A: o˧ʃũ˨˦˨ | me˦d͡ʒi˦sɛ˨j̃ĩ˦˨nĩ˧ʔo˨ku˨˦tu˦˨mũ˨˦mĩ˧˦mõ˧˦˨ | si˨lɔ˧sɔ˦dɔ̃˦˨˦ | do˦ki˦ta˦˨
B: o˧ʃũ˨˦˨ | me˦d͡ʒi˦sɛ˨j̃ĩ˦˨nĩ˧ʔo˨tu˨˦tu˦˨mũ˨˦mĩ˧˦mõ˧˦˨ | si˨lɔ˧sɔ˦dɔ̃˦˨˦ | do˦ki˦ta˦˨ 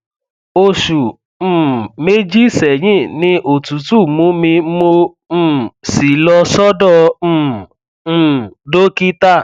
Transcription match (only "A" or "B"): B